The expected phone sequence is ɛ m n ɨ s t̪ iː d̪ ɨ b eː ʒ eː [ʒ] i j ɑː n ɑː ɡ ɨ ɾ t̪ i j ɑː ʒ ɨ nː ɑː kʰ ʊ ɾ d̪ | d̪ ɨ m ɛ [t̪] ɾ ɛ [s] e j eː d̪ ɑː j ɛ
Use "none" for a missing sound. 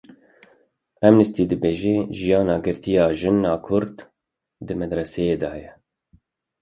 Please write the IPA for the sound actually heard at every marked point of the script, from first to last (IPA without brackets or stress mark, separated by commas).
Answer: ʒ, d̪, s